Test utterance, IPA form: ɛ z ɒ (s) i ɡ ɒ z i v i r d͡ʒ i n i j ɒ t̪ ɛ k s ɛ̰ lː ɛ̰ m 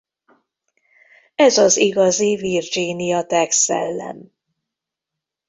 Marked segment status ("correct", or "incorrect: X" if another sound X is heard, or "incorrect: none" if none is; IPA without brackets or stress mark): incorrect: z